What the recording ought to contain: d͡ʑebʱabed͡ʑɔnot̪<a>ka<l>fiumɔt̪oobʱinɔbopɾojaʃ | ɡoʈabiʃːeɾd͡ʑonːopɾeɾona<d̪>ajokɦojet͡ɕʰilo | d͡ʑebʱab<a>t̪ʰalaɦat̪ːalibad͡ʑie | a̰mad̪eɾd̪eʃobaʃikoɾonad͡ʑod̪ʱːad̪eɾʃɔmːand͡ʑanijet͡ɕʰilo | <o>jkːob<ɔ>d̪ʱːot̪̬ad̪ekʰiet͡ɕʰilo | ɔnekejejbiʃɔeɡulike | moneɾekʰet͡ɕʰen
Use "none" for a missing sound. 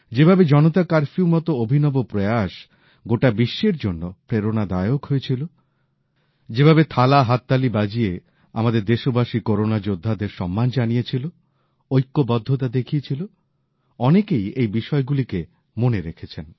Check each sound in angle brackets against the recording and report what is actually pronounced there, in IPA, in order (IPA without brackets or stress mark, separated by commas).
a, ɾ, d̪, e, o, ɔ